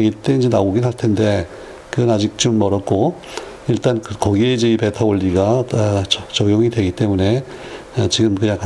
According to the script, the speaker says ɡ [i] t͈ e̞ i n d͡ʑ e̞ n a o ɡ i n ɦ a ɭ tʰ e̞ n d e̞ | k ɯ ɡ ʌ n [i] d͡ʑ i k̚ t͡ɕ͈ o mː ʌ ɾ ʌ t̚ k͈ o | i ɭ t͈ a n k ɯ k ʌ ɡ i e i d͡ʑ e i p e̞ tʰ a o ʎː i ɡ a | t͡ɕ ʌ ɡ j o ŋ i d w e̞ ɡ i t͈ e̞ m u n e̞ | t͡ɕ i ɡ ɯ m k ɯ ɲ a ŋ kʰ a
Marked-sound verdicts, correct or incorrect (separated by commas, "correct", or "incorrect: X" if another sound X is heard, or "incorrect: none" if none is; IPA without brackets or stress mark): correct, incorrect: a